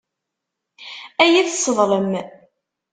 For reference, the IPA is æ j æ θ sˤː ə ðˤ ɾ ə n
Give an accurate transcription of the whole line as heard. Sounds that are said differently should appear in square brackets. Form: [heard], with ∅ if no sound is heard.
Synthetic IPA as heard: æ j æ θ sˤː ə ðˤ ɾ ə [m]